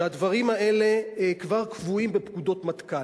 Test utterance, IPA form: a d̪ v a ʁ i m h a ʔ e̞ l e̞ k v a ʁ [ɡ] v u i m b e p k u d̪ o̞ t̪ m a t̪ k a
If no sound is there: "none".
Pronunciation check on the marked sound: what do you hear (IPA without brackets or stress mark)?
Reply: k